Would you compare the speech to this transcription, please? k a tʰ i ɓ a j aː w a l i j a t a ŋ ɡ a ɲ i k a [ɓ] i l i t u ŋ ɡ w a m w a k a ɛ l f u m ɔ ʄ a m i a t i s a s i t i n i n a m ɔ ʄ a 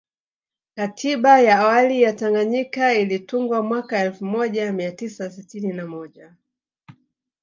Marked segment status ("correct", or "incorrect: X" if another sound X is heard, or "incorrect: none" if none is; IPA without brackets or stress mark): incorrect: none